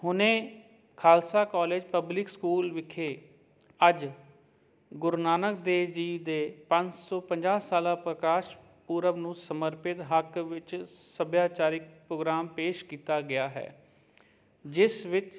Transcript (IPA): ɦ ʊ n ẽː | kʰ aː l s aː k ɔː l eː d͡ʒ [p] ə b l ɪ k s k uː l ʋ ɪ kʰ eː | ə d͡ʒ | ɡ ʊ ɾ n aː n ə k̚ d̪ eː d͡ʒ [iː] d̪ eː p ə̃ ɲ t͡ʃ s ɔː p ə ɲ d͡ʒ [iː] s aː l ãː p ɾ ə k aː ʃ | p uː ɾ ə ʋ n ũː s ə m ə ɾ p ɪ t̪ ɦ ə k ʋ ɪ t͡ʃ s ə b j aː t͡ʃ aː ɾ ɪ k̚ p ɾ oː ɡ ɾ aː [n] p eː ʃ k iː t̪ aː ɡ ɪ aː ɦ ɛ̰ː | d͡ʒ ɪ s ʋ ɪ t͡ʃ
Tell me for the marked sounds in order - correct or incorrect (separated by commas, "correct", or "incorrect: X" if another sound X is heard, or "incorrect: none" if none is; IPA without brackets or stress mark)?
correct, correct, incorrect: aː, incorrect: m